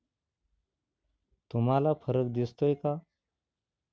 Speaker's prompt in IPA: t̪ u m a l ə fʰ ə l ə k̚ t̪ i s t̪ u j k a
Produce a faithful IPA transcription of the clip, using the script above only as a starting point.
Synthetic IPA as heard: t̪ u m a l a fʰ ə ɾ ə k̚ d̪ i s t̪ o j k a